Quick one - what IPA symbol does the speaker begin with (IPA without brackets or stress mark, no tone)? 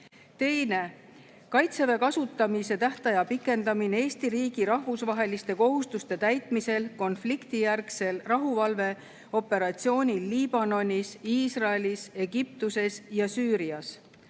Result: t̪